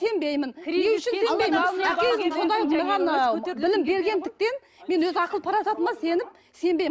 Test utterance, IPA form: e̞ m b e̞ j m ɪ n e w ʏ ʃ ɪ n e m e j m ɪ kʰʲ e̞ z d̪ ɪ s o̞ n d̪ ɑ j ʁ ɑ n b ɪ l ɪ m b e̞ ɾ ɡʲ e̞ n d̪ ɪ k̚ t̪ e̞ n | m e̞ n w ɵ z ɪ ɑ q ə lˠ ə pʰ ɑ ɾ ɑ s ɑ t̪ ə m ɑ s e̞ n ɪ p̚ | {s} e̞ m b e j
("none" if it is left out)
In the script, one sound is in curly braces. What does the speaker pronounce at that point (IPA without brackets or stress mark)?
s